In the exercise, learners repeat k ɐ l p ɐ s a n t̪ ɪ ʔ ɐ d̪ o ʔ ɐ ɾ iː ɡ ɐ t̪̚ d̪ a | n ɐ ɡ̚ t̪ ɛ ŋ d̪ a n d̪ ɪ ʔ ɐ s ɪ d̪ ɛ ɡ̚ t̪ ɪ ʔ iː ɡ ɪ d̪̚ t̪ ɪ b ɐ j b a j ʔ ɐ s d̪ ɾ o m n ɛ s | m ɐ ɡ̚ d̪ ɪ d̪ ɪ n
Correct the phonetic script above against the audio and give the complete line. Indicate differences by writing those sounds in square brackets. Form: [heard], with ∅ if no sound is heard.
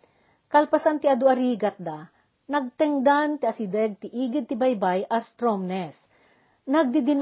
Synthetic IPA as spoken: k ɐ l p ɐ s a n t̪ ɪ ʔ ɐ d̪ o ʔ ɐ ɾ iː ɡ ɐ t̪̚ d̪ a | n ɐ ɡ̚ t̪ ɛ ŋ d̪ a n [t̪] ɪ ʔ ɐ s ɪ d̪ ɛ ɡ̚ t̪ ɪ ʔ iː ɡ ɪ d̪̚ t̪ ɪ b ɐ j b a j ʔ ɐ s [t̪] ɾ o m n ɛ s | [n] ɐ ɡ̚ d̪ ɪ d̪ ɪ n